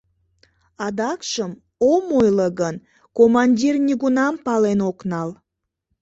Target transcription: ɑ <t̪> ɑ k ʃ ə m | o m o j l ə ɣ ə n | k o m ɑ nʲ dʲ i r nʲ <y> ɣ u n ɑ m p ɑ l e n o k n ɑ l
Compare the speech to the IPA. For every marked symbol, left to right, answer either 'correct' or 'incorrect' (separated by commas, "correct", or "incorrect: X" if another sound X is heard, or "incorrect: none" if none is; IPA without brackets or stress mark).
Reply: incorrect: d̪, incorrect: i